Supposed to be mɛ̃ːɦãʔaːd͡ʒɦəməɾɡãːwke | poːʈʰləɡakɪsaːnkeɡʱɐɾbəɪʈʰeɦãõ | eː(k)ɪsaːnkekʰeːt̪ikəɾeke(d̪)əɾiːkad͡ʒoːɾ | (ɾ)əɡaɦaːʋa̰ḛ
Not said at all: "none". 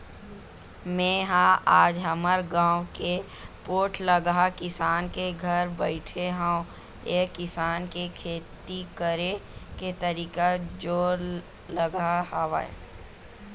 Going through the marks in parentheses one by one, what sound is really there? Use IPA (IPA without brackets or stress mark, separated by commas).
k, t̪, l